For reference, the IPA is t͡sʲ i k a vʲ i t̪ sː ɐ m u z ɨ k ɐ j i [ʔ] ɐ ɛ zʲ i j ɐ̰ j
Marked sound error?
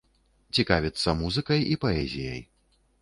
yes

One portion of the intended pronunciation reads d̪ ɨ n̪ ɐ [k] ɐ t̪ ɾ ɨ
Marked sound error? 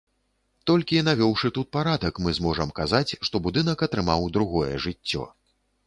no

